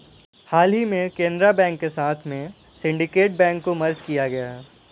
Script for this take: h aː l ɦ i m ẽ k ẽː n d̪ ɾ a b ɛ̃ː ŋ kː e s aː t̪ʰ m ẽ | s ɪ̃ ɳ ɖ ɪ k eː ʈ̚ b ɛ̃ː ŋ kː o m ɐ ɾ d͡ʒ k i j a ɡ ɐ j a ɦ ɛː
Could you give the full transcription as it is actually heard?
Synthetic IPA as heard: h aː l ɦ i m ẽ k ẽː n d̪ ɾ a b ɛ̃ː ŋ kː e s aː t̪ʰ m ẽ | s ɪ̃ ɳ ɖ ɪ k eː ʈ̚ b ɛ̃ː ŋ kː o m ɐ ɾ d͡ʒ k i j a ɡ ɐ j a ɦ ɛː